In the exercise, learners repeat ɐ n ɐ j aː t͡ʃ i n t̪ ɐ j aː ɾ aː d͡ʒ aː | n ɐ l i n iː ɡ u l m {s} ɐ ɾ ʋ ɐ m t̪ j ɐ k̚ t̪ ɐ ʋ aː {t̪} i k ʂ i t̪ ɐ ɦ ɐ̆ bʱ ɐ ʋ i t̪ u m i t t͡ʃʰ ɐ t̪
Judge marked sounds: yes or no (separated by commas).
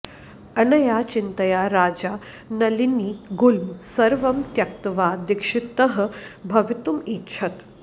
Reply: yes, no